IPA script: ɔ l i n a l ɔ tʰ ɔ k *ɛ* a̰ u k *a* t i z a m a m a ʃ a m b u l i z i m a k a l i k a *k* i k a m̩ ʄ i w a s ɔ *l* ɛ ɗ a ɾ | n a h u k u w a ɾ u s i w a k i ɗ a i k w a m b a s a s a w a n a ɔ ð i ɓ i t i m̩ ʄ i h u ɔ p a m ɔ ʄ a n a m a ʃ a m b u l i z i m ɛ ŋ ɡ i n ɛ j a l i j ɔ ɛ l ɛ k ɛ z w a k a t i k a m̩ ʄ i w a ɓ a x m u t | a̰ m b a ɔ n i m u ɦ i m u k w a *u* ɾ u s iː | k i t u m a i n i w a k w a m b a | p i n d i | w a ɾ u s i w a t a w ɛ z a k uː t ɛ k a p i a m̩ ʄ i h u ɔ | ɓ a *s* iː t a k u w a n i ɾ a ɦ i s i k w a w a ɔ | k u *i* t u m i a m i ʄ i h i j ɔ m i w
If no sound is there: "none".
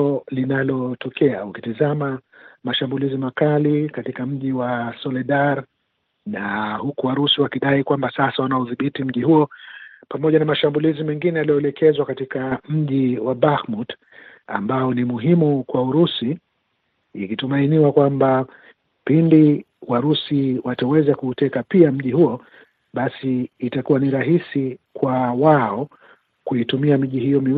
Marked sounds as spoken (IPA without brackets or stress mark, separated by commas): ɛ, i, t, l, u, s, i